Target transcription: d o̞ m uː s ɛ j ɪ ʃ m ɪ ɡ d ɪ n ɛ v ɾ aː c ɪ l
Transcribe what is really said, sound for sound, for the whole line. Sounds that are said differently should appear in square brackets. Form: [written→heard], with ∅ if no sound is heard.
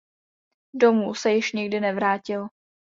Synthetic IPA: d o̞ m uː s ɛ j ɪ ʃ [m→ɲ] ɪ ɡ d ɪ n ɛ v ɾ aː c ɪ l